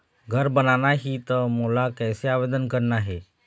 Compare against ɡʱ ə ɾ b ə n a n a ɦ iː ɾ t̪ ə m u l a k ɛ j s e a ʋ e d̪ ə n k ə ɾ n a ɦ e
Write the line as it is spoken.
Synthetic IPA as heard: ɡʱ ə ɾ b ə n a n a ɦ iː t̪ ə m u l a k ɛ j s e a ʋ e d̪ ə n k ə ɾ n a ɦ e